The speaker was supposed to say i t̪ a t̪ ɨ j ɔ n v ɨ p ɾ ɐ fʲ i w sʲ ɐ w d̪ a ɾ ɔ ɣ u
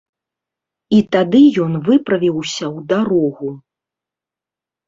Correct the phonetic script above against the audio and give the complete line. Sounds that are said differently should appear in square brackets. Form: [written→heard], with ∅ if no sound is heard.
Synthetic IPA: i t̪ a [t̪→d̪] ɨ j ɔ n v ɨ p ɾ ɐ [fʲ→vʲ] i w sʲ ɐ w d̪ a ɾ ɔ ɣ u